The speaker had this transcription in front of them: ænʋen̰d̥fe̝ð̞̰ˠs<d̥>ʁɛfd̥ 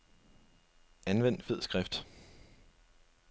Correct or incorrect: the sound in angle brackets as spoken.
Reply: incorrect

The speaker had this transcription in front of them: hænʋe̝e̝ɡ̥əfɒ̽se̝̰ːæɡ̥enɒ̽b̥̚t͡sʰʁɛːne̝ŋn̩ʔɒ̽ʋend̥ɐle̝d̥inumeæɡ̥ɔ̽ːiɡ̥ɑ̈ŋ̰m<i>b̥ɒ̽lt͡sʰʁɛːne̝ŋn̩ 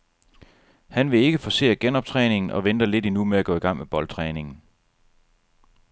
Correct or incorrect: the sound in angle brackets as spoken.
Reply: incorrect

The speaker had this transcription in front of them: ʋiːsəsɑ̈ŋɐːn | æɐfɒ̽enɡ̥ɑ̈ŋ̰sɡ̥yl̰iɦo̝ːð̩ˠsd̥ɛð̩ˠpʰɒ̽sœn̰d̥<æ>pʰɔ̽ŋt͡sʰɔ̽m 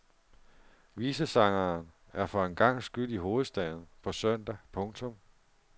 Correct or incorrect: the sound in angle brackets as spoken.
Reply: correct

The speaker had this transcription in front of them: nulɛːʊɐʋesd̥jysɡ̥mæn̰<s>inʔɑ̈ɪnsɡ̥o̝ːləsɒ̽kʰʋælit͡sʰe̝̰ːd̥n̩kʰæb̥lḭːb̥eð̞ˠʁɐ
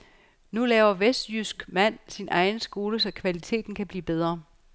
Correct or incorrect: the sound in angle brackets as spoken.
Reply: correct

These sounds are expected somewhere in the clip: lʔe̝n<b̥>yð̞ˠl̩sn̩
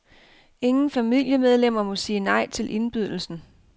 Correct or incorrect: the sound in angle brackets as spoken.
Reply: correct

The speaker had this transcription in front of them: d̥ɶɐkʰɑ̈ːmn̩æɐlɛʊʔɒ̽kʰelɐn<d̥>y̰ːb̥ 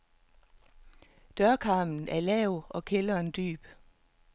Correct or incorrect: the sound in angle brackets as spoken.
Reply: correct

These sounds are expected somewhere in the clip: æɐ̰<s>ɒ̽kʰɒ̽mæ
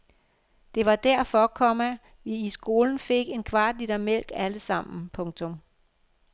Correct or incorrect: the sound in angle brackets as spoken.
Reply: incorrect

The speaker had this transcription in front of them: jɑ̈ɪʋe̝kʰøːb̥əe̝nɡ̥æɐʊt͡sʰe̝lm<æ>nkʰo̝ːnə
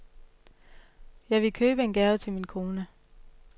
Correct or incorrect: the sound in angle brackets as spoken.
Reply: incorrect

